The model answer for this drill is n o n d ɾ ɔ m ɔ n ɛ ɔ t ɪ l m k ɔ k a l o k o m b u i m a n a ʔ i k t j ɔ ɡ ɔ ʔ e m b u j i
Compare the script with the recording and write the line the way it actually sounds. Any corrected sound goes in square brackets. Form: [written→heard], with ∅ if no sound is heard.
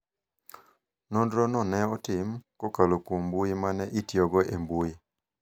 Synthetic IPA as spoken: n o n d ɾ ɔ [m→n] ɔ n ɛ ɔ t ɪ [l→∅] m k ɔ k a l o k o m b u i m a n [a→ɛ] ʔ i [k→∅] t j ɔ ɡ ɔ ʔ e m b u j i